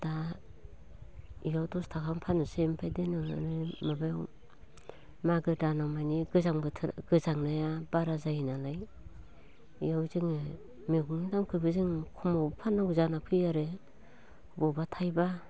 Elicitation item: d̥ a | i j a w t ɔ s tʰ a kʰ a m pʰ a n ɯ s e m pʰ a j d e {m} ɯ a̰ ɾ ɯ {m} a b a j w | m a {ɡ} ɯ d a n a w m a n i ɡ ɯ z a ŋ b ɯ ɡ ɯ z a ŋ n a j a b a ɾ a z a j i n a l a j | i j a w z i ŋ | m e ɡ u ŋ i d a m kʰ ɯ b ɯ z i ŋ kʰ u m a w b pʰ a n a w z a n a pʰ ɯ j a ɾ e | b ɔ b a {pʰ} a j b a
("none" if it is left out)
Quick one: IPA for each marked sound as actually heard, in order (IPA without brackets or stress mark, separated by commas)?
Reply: n, m, ɡ, tʰ